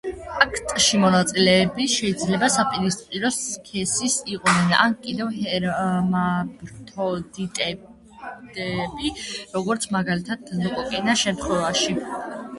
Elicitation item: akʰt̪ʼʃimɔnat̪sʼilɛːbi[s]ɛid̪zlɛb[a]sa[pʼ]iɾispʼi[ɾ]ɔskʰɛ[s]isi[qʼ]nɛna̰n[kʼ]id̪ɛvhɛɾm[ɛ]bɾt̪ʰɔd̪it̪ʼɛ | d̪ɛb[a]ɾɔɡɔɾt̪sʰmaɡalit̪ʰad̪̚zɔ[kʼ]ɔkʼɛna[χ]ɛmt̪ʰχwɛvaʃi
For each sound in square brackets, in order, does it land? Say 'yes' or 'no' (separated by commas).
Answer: no, yes, yes, yes, yes, yes, yes, no, no, yes, no